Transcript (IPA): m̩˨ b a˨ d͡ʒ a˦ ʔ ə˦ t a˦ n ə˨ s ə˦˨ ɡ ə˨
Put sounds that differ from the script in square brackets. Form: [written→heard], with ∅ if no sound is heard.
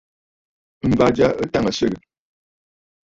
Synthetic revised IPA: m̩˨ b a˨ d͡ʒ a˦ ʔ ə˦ t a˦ [n→ŋ] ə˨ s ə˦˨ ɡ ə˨